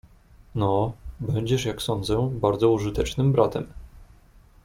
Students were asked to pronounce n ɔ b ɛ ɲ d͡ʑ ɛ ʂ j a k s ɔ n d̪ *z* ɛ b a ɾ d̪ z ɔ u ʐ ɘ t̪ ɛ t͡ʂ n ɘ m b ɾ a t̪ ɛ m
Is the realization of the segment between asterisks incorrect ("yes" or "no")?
no